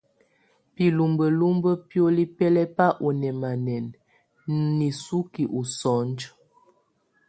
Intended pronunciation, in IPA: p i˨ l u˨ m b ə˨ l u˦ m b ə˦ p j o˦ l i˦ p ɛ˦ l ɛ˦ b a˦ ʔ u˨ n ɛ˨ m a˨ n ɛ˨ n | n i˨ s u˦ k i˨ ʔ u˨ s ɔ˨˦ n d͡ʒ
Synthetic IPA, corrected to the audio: p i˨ l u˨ m b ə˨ l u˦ m b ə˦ p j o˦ l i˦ p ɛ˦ l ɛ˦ p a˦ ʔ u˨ n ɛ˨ m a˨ n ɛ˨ n | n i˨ s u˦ k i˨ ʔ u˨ s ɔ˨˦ n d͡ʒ